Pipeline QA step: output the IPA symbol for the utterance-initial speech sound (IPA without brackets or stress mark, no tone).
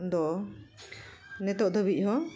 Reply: d̪